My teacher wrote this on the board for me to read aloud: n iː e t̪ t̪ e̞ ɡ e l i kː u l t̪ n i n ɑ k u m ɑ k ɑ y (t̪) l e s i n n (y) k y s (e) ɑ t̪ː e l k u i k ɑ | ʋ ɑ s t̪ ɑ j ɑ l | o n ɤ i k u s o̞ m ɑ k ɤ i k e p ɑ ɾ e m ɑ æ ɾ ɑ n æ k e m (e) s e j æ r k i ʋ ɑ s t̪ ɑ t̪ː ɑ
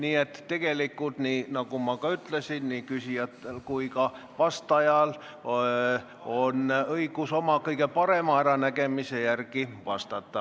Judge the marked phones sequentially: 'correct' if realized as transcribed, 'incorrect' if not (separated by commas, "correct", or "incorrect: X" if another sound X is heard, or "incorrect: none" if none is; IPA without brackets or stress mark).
correct, incorrect: i, incorrect: i, incorrect: i